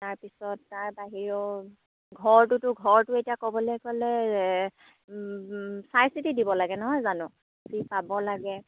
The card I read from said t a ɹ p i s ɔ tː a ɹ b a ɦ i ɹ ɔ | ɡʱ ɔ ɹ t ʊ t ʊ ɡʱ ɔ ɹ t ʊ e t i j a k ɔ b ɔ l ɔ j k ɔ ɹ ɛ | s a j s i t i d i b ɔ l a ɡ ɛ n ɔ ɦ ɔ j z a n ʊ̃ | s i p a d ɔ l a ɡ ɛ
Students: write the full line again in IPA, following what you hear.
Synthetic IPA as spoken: t a ɹ p i s ɔ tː a ɹ b a ɦ i ɹ ɔ | ɡʱ ɔ ɹ t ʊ t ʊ ɡʱ ɔ ɹ t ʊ e t i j a k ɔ b ɔ l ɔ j k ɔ l ɛ | s a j s i t i d i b ɔ l a ɡ ɛ n ɔ ɦ ɔ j z a n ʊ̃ | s i p a b ɔ l a ɡ ɛ